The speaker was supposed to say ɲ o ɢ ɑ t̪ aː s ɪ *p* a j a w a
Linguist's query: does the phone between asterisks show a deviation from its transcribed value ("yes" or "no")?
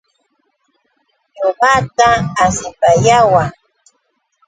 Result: no